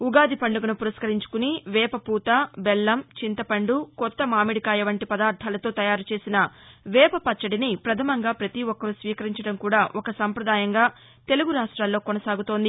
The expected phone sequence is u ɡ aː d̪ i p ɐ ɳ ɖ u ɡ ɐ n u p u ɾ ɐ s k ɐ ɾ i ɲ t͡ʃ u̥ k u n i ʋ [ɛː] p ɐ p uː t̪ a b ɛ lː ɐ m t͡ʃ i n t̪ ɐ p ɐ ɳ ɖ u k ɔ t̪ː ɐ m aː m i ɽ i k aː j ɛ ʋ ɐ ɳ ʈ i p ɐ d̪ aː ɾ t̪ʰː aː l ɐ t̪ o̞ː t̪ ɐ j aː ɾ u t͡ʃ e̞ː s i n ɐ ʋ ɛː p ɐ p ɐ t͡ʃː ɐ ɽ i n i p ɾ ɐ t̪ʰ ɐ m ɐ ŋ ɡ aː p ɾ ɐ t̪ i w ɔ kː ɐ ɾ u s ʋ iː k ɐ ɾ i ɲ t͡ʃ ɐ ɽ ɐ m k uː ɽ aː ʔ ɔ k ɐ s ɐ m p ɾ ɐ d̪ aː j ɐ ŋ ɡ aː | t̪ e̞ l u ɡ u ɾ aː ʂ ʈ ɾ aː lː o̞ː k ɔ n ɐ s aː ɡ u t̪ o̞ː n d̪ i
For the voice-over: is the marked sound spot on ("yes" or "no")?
yes